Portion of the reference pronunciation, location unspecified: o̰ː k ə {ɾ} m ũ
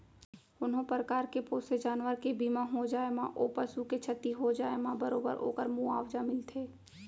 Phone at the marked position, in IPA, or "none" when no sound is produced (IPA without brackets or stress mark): ɾ